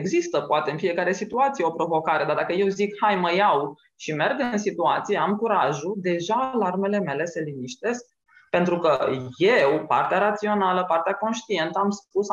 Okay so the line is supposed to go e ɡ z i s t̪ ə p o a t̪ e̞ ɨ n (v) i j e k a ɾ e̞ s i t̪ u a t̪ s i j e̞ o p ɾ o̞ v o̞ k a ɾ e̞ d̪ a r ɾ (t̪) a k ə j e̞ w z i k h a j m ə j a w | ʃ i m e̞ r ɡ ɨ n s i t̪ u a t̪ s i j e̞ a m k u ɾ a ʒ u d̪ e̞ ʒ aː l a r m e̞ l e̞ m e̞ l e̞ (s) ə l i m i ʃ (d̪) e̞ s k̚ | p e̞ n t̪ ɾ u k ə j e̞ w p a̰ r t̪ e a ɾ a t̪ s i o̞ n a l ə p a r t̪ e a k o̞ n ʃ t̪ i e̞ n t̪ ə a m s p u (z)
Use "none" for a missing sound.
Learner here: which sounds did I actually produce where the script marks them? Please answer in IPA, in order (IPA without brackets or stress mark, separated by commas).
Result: f, d̪, s, t̪, s